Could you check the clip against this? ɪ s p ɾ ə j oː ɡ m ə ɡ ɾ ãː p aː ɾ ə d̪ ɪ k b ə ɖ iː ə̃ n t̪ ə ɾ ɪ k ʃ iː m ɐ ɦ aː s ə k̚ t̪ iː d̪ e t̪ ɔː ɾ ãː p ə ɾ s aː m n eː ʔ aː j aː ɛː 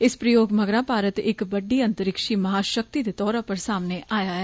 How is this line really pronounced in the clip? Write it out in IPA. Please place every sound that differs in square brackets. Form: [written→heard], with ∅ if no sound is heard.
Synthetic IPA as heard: ɪ s p ɾ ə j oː ɡ m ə ɡ ɾ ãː p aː ɾ ə [d̪→t̪] ɪ k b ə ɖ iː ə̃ n t̪ ə ɾ ɪ k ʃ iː m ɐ ɦ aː [s→ʃ] ə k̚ t̪ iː d̪ e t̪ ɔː ɾ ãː p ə ɾ s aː m n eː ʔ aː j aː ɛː